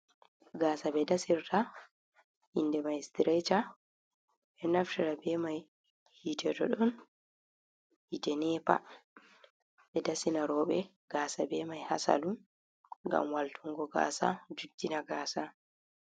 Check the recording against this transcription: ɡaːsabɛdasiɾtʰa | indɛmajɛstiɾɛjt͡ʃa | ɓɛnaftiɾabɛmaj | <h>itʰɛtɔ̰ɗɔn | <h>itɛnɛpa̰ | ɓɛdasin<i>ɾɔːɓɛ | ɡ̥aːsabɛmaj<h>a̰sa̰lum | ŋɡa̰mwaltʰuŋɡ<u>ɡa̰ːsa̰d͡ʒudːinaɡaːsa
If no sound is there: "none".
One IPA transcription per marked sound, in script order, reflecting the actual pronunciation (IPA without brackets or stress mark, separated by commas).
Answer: h, h, a, h, ɔ